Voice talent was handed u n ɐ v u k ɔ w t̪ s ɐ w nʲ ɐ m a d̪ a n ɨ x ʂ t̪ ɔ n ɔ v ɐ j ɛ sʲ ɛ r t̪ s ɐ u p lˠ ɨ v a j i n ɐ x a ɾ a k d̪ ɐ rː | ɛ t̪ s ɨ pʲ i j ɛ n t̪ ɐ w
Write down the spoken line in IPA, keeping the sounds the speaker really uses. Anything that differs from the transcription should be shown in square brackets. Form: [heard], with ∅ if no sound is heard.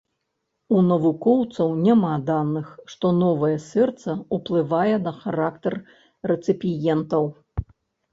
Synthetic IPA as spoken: u n ɐ v u k ɔ w t̪ s ɐ w nʲ [a] m a d̪ a n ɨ x ʂ t̪ ɔ n ɔ v ɐ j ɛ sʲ ɛ r t̪ s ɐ u p lˠ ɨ v a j [ɛ] n ɐ x a ɾ a k [t̪] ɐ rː | ɛ t̪ s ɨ pʲ i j ɛ n t̪ ɐ w